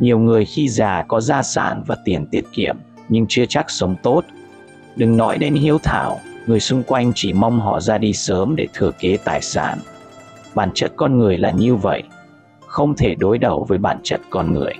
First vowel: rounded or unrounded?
unrounded